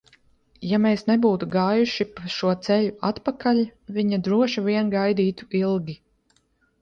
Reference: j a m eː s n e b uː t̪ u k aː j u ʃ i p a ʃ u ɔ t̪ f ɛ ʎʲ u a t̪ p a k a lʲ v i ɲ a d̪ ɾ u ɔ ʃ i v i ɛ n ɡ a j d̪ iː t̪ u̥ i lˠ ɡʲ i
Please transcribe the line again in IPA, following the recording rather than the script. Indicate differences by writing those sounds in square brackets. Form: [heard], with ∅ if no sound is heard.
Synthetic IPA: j a m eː s n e b uː t̪ u [ɡ] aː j u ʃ i p a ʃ u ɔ t̪ [s] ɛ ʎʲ u a t̪ p a k a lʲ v i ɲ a d̪ ɾ u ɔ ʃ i v i ɛ n ɡ a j d̪ iː t̪ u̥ i lˠ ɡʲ i